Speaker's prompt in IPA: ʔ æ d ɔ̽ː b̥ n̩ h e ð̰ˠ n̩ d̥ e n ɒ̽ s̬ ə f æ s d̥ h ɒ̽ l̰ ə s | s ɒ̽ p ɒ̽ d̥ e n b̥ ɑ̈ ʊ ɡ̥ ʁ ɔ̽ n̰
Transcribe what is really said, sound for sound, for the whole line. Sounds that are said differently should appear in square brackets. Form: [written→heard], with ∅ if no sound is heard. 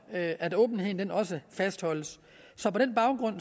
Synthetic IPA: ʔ æ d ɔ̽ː b̥ n̩ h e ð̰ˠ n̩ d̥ e n ɒ̽ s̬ ə f æ s d̥ h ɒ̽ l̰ ə s | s ɒ̽ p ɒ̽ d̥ e n b̥ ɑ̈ ʊ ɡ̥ ʁ ɔ̽ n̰